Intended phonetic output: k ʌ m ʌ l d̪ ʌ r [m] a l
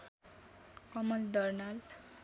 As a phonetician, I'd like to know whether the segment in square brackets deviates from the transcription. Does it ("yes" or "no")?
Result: yes